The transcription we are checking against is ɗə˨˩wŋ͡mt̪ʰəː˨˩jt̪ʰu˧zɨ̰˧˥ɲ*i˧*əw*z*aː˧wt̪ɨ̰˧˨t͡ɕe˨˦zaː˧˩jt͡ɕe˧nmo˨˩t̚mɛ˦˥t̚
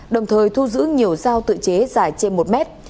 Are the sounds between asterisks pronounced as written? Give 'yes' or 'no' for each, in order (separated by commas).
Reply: no, yes